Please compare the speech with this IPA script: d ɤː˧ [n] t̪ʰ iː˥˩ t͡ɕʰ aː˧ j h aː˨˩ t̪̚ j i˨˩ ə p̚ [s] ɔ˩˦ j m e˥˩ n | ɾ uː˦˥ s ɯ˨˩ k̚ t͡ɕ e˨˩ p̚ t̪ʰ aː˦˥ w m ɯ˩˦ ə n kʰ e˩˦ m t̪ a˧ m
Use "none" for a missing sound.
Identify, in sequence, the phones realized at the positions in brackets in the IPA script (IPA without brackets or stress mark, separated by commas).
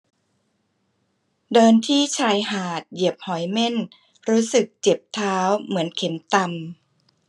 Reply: n, h